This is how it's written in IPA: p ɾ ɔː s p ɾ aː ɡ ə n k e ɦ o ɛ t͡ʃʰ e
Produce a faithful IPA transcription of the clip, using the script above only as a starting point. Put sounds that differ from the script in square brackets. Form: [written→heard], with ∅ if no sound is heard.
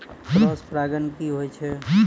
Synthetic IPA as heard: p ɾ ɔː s p ɾ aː ɡ ə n k [e→i] ɦ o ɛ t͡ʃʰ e